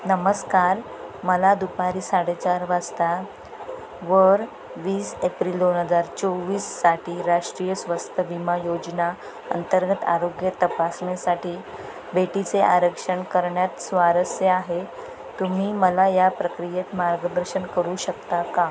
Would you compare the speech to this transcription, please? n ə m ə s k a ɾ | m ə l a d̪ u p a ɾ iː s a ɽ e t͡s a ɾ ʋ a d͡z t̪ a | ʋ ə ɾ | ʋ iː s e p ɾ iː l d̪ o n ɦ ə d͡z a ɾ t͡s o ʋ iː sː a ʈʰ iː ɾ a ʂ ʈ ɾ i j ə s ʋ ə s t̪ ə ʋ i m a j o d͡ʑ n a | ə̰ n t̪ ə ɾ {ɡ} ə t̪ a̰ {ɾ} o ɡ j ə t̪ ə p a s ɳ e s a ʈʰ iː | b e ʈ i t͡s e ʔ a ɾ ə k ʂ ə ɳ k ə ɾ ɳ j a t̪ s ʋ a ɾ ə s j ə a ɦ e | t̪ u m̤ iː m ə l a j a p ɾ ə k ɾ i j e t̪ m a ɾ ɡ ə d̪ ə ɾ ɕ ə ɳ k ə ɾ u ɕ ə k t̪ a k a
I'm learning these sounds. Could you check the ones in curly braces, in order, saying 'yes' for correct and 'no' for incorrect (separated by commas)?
yes, yes